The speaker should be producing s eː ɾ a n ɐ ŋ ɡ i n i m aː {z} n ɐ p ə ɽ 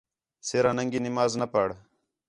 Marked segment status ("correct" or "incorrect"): correct